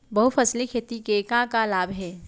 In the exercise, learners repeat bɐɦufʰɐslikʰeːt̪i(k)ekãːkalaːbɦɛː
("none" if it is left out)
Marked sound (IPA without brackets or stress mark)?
k